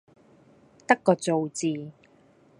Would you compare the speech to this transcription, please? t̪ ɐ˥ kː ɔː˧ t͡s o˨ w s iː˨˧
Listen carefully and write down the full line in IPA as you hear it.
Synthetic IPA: t̪ ɐ˥ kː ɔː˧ t͡s o˨ w t͡s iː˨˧